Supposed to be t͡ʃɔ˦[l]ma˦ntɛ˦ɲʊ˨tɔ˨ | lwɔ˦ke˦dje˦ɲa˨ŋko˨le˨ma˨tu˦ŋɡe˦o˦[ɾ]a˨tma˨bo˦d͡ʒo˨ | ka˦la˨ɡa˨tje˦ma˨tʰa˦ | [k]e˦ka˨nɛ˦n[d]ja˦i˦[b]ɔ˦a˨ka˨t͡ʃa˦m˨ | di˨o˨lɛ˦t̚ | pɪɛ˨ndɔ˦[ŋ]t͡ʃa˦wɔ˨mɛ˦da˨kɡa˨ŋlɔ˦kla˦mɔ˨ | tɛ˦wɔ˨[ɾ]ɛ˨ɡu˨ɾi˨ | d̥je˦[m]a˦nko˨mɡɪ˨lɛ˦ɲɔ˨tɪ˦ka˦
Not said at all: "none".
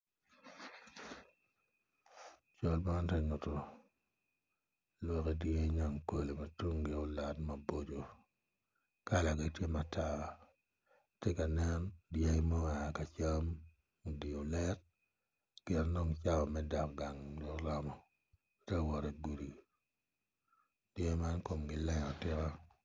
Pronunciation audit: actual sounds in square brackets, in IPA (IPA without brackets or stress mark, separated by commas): l, l, t, d, m, ŋ, ɾ, m